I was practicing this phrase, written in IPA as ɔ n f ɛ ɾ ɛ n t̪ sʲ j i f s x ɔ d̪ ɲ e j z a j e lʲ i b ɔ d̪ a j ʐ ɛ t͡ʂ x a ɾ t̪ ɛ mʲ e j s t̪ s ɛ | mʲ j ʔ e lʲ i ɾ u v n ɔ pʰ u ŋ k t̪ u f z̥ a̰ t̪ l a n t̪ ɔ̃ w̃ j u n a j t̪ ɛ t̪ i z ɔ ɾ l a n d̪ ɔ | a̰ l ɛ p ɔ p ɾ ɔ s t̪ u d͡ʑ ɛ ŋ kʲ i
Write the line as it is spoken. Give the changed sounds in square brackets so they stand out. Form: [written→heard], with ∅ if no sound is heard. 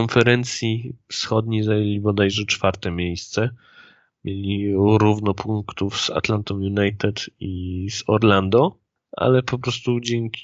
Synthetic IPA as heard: ɔ n f ɛ ɾ ɛ n t̪ sʲ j i f s x ɔ d̪ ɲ e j z a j e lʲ i b ɔ d̪ a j ʐ ɛ t͡ʂ [x→f] a ɾ t̪ ɛ mʲ e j s t̪ s ɛ | mʲ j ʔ e lʲ i ɾ u v n ɔ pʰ u ŋ k t̪ u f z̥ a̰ t̪ l a n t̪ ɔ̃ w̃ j u n a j t̪ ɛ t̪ i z ɔ ɾ l a n d̪ ɔ | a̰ l ɛ p ɔ p ɾ ɔ s t̪ u d͡ʑ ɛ ŋ kʲ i